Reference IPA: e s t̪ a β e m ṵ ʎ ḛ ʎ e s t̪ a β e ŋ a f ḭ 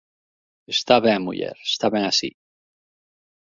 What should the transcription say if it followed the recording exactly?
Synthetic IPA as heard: e s t̪ a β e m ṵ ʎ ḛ ɾ e s t̪ a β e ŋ a s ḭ